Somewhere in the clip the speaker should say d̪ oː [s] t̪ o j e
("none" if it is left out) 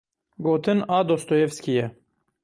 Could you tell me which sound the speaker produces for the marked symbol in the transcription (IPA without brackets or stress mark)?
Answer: s